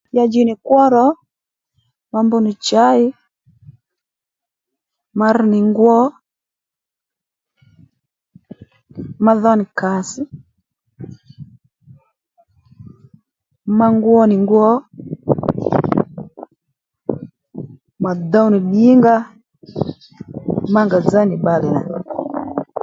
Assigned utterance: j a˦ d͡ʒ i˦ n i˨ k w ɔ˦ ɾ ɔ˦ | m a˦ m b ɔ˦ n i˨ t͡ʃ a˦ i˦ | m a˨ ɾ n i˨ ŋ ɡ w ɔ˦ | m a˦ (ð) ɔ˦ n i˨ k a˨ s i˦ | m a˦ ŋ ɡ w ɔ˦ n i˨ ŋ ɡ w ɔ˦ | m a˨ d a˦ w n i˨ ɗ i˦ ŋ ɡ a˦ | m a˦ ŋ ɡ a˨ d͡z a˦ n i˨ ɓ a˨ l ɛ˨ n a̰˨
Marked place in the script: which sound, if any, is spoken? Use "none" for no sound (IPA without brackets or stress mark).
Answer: ð